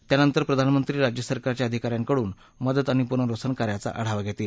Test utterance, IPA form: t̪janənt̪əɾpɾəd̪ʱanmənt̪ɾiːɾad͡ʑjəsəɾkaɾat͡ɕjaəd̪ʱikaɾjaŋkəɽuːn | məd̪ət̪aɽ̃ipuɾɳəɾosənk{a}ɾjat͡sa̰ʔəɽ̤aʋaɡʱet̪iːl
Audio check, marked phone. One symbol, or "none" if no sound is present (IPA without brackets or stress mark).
a